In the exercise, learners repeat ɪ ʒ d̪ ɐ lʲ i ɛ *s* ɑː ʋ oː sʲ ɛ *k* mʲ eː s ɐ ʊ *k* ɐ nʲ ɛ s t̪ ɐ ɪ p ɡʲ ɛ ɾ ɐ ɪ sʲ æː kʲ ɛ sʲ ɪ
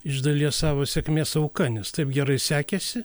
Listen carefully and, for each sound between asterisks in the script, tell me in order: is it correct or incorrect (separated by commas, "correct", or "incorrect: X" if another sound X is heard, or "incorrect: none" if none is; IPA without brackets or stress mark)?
correct, correct, correct